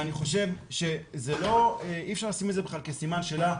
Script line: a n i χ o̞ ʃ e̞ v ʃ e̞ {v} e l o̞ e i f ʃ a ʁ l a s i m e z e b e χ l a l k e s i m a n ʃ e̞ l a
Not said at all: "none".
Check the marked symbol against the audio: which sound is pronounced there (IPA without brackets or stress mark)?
z